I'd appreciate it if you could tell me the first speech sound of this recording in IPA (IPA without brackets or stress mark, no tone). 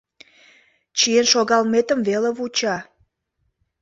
t͡ɕ